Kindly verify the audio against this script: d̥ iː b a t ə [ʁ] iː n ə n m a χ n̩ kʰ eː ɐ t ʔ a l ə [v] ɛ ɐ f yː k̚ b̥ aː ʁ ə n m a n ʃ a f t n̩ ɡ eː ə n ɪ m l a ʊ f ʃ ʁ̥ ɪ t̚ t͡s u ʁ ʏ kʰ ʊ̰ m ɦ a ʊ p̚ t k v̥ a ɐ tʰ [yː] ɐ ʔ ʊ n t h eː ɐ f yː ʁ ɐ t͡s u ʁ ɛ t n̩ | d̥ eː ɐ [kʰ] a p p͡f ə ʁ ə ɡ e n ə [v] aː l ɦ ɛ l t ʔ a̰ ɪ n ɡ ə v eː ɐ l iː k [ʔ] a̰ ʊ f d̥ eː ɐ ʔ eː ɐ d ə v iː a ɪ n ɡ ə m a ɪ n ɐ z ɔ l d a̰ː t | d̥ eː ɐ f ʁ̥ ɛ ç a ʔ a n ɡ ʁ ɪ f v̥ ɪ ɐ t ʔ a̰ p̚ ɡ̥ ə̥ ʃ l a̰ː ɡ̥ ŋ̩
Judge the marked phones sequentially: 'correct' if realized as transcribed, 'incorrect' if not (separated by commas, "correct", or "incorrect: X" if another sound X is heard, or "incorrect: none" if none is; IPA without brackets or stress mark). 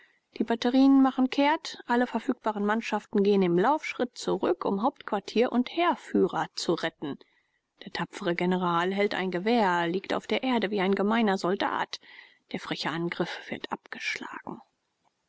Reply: correct, incorrect: f, incorrect: iː, incorrect: tʰ, incorrect: ʁ, incorrect: t